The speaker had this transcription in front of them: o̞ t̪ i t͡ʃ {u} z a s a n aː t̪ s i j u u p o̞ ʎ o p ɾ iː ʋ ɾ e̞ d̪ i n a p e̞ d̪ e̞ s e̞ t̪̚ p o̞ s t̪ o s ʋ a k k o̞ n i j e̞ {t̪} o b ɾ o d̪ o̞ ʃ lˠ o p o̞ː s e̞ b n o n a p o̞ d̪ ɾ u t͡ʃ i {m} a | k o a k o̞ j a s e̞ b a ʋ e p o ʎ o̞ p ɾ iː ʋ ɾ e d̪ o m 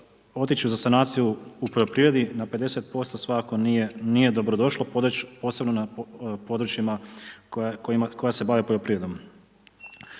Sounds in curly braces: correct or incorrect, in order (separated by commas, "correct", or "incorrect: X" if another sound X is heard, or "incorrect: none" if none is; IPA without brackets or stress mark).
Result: correct, incorrect: d̪, correct